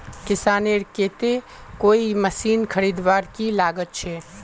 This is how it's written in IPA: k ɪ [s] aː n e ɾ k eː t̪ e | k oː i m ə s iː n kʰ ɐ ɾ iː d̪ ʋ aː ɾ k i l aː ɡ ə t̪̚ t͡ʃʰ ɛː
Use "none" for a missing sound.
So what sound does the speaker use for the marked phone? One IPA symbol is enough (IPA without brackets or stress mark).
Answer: s